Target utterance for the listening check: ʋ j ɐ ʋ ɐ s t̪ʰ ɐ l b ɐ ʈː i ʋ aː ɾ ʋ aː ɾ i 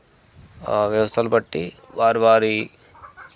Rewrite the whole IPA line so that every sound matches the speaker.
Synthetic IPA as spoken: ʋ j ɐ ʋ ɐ s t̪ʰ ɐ l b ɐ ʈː i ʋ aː ɾ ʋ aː ɾ i